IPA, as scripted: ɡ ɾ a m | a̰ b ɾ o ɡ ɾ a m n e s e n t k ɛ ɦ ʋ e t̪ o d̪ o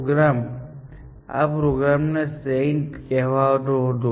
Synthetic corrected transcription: ɡ ɾ a m | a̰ p ɾ o ɡ ɾ a m n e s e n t k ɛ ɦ ʋ a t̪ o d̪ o